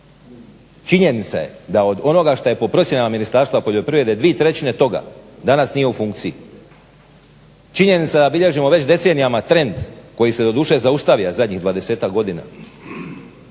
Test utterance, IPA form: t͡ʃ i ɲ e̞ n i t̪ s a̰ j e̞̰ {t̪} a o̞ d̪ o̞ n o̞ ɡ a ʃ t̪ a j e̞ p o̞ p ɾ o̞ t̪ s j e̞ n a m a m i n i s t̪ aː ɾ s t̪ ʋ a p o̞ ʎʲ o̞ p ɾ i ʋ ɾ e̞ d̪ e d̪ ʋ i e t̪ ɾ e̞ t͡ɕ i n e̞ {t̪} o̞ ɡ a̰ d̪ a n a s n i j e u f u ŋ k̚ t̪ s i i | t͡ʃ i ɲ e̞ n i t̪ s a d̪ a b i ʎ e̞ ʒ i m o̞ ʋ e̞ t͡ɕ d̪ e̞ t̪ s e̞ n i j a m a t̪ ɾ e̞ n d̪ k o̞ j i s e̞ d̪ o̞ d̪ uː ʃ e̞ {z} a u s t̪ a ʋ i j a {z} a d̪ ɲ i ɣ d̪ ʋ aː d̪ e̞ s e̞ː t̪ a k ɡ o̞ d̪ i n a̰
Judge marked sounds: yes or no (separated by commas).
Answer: no, yes, yes, yes